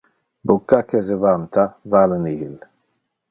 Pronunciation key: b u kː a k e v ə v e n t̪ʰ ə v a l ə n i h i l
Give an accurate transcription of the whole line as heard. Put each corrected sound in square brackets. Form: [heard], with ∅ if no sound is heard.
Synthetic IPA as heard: b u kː a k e [z] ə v [a] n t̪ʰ [a] v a l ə n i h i l